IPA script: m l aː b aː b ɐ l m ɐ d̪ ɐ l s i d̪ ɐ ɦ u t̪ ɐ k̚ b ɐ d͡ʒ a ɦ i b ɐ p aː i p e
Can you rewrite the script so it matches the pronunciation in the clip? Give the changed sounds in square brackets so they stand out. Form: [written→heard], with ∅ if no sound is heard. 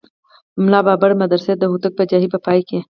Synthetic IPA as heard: m l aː b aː b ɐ [l→ɽ] m ɐ d̪ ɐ [l→ɾ] s [i→e] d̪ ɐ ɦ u t̪ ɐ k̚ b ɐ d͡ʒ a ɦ i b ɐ p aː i [p→k] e